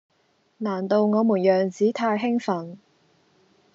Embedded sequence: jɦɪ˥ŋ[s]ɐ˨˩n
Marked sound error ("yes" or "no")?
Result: yes